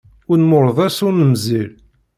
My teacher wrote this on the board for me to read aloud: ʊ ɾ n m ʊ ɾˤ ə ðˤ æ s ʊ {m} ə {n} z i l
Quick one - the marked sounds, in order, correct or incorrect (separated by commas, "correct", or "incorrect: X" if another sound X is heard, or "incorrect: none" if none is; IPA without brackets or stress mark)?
incorrect: n, incorrect: m